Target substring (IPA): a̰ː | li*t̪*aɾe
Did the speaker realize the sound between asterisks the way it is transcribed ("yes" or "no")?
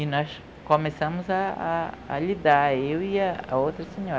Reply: no